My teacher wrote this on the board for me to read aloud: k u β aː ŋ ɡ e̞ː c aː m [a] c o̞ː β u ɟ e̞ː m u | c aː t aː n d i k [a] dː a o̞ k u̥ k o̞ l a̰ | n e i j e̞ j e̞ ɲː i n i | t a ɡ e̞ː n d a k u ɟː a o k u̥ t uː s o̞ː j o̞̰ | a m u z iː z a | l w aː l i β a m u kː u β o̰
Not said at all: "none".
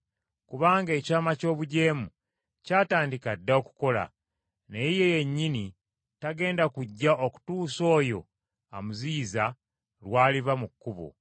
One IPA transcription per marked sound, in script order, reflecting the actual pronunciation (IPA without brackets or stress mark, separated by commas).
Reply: a, a